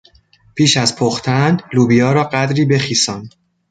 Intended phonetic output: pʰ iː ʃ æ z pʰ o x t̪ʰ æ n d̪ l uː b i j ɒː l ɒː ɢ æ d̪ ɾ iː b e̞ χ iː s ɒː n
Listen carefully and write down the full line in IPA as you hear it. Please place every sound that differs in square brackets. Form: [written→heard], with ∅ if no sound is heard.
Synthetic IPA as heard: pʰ iː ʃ æ z pʰ o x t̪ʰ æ n d̪ l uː b i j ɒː [l→ɾ] ɒː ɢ æ d̪ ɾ iː b e̞ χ iː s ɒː n